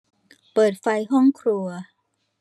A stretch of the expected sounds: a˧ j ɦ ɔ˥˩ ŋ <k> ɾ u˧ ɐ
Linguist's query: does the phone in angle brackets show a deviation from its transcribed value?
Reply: yes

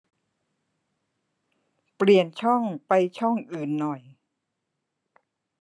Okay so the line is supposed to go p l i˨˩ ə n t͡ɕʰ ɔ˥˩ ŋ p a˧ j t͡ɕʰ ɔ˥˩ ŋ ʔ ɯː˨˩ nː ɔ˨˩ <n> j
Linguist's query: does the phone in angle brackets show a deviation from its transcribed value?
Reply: yes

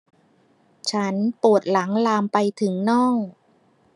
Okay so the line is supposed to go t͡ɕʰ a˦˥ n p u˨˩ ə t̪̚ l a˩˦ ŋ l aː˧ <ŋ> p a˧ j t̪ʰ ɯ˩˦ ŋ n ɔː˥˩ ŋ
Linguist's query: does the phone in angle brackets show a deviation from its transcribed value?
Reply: yes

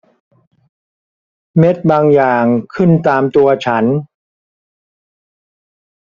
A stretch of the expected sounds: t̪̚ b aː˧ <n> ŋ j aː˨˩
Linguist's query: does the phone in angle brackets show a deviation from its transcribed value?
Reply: yes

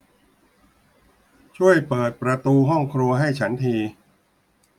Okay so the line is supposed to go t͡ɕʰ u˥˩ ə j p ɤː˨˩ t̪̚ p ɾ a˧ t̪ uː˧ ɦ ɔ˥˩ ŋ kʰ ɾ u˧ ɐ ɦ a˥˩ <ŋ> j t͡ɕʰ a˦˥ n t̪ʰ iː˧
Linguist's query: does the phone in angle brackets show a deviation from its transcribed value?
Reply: yes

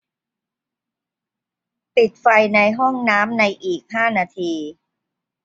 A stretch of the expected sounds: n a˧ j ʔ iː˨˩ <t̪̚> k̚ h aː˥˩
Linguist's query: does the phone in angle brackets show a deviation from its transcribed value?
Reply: yes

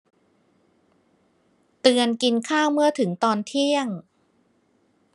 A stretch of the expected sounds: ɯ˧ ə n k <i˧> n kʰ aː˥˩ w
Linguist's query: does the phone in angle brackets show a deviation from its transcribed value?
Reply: no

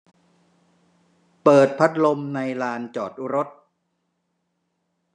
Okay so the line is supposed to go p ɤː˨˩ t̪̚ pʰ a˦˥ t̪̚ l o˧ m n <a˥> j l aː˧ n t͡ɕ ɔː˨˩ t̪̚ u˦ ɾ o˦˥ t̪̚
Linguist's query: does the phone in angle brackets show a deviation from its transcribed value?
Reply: yes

